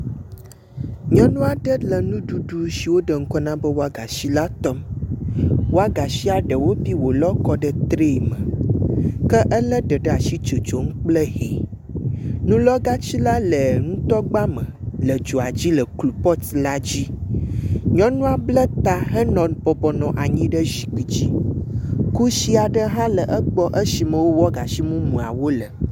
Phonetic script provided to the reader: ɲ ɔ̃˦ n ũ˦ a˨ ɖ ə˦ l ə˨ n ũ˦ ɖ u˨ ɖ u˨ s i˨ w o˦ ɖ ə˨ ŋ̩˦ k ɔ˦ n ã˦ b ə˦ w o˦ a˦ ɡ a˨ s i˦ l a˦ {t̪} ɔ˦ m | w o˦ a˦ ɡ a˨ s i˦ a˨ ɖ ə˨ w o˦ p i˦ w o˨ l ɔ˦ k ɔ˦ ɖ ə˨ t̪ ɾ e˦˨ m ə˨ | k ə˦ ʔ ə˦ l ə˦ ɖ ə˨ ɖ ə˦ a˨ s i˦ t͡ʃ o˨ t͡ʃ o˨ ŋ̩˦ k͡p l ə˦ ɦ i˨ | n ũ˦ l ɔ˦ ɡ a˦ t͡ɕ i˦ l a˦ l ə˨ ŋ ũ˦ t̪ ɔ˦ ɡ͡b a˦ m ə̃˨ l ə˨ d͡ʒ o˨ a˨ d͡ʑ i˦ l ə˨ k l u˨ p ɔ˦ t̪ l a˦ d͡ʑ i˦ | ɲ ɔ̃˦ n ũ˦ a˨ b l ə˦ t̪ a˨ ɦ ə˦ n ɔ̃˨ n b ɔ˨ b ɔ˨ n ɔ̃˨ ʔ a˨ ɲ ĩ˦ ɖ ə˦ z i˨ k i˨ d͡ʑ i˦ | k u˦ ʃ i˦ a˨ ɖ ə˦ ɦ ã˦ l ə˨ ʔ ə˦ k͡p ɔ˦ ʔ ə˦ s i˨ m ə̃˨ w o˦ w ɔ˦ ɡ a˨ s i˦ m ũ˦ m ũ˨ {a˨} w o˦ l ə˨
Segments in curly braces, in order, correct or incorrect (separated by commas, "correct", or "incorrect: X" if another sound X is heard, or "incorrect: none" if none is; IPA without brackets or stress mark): correct, correct